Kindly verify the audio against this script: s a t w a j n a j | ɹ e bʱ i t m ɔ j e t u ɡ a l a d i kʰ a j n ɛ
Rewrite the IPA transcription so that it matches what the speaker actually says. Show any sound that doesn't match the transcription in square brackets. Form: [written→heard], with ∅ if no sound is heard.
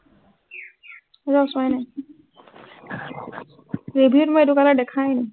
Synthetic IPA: [s→z] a [t→s] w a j n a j | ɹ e bʱ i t m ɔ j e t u [ɡ→k] a l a d [i→ɛ] kʰ a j n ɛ